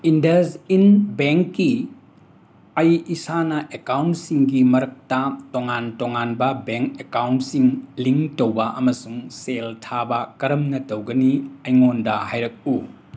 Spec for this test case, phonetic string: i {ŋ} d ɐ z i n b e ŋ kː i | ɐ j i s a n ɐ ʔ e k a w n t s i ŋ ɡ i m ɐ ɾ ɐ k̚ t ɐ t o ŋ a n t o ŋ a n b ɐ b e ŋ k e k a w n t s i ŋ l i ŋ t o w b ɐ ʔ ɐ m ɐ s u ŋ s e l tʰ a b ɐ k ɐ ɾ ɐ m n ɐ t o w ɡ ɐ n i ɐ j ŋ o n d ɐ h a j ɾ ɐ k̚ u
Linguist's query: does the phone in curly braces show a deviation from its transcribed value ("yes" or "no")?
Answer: yes